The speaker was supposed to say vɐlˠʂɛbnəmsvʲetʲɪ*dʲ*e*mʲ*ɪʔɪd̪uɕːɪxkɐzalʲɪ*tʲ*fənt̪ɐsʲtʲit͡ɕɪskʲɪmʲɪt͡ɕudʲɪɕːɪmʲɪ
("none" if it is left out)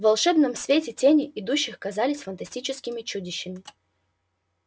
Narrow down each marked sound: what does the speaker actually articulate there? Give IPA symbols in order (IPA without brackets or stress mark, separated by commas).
tʲ, nʲ, sʲ